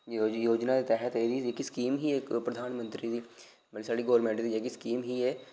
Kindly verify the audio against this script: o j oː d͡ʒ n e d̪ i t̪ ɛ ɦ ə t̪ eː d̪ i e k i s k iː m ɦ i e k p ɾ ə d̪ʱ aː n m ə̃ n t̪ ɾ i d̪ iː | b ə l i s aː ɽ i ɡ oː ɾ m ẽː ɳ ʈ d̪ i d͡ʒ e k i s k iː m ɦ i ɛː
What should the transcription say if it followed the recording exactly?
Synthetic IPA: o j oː d͡ʒ n a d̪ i t̪ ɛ ɦ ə t̪ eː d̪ i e k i s k iː m ɦ i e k p ɾ ə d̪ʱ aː n m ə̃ n t̪ ɾ i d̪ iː | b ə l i s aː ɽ i ɡ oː ɾ m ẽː ɳ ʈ d̪ i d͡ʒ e k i s k iː m ɦ i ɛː